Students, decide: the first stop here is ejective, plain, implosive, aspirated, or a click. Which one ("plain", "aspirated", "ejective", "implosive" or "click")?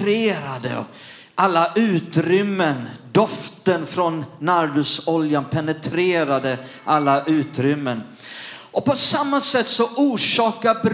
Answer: plain